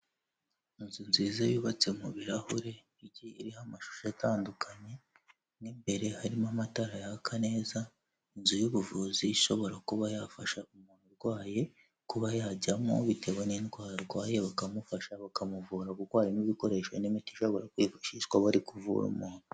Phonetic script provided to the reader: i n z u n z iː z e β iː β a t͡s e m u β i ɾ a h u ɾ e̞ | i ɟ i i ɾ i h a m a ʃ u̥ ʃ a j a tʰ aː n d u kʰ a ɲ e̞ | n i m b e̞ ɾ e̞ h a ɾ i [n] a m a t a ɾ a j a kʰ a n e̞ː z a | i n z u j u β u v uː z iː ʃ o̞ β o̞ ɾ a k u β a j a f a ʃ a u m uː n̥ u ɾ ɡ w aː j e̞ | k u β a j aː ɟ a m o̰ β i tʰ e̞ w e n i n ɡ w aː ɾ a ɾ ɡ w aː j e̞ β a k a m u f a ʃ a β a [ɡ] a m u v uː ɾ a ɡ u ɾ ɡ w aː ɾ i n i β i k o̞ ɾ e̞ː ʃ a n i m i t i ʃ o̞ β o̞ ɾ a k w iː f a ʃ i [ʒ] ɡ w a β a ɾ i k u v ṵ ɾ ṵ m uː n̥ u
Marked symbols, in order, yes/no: no, no, no

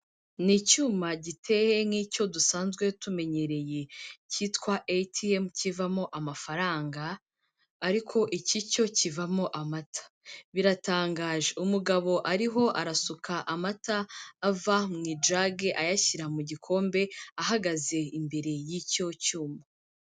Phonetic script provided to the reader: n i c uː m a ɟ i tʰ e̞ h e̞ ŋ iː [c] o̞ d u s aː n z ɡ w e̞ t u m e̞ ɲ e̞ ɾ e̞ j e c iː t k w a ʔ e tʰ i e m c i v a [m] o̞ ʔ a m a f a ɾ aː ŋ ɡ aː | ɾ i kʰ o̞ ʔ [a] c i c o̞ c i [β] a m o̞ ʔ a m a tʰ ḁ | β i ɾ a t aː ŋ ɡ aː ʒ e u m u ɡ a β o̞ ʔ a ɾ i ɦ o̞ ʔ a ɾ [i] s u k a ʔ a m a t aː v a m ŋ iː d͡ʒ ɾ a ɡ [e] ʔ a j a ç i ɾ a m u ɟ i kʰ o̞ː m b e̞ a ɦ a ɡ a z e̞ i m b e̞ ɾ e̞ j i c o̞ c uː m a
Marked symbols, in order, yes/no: yes, yes, no, no, no, yes

